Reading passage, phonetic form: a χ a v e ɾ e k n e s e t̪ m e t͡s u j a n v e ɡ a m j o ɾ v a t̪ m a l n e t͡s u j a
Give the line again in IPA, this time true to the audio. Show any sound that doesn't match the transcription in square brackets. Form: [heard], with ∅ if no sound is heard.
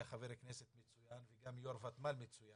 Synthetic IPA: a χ a v e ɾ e k n e s e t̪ m e t͡s u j a n v e ɡ a m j o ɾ v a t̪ m a l [m] e t͡s u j a